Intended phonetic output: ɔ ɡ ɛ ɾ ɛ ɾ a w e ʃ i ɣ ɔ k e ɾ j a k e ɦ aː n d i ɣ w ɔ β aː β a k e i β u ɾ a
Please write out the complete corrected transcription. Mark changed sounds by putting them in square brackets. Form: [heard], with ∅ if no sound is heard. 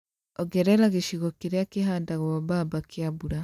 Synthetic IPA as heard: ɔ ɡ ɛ ɾ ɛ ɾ a [ɣ] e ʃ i ɣ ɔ k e ɾ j a k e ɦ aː n d [a] ɣ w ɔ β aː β a k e [a] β u ɾ a